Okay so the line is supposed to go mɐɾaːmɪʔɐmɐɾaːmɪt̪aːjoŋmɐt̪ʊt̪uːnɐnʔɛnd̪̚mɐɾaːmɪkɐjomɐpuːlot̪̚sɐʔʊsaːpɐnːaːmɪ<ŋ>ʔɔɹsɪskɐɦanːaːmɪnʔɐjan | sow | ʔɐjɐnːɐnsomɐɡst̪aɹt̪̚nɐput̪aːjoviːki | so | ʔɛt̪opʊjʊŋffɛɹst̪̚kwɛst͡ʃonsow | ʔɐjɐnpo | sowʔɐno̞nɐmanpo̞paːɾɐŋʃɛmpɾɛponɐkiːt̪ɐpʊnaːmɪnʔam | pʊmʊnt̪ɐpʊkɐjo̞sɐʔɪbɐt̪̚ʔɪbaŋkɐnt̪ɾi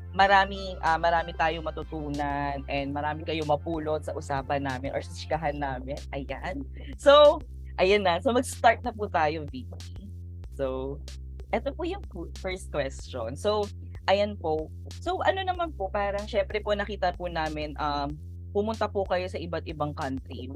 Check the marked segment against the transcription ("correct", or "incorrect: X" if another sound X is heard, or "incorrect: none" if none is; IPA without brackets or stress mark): incorrect: n